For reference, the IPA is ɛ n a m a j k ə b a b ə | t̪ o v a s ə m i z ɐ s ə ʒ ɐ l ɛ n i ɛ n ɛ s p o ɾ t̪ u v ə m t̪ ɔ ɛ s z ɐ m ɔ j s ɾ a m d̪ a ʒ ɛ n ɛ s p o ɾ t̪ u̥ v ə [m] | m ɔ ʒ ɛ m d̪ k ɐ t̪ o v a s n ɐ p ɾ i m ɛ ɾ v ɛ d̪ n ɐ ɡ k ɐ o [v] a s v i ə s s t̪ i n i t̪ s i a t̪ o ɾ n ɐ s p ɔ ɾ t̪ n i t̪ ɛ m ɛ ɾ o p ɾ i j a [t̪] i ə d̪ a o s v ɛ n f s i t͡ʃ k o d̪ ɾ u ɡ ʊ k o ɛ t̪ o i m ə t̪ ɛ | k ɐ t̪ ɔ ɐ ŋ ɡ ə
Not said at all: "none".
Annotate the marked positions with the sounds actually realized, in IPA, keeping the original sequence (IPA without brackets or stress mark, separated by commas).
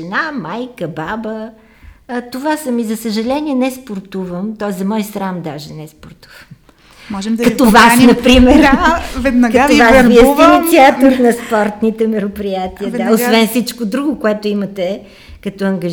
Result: m, v, t̪